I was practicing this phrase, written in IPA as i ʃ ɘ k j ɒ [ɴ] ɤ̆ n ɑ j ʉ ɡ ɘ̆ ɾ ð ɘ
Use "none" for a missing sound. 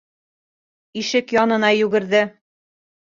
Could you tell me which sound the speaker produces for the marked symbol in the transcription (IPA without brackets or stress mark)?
n